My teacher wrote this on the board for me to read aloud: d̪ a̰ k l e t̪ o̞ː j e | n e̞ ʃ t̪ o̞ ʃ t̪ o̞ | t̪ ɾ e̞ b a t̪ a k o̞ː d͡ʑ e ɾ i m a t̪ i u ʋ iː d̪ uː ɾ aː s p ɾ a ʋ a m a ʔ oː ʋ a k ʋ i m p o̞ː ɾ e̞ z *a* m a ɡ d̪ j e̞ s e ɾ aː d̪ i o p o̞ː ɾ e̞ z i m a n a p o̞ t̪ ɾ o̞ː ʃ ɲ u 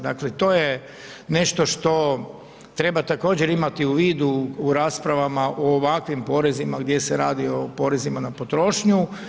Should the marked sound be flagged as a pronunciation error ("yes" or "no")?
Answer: yes